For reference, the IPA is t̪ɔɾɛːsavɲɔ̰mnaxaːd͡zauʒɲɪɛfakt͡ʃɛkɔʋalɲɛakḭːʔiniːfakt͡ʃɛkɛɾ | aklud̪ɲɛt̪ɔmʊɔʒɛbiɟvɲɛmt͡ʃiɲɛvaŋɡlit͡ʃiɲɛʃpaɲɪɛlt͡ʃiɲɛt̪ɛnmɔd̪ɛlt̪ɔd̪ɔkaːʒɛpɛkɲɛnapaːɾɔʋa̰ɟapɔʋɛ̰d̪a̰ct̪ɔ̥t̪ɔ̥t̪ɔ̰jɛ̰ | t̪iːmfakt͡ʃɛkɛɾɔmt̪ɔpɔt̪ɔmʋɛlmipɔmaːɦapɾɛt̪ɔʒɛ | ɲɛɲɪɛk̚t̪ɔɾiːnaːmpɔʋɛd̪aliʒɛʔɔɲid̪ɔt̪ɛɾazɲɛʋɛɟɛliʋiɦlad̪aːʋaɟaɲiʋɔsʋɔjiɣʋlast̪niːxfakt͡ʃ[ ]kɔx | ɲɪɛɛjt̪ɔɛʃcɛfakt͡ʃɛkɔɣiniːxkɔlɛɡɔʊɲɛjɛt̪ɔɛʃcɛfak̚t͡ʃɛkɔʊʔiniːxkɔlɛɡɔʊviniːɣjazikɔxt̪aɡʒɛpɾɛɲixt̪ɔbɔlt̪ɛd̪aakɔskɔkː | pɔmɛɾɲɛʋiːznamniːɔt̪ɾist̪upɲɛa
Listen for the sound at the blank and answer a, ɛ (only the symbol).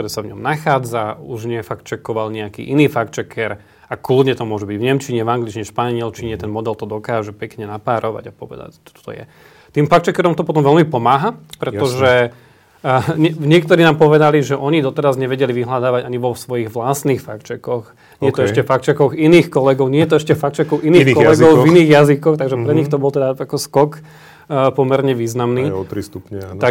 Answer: ɛ